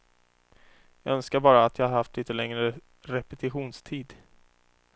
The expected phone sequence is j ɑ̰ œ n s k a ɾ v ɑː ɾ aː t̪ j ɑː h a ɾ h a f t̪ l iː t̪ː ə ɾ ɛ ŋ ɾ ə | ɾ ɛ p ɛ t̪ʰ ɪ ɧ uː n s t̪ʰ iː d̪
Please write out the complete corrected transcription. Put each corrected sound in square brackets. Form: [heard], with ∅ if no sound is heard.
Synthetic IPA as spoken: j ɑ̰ œ n s k a ɾ [b] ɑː ɾ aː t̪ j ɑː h a ɾ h a f t̪ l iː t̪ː ə [l] ɛ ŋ ɾ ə | ɾ ɛ p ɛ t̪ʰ ɪ ɧ uː n s t̪ʰ iː d̪